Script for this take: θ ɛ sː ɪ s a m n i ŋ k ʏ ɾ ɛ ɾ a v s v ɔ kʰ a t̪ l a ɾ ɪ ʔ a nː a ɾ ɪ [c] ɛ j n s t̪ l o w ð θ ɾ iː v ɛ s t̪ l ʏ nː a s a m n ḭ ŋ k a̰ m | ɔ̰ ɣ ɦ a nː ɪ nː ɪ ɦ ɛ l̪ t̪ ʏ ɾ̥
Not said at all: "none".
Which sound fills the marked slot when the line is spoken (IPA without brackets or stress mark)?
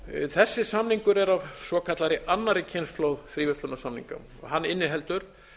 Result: cʰ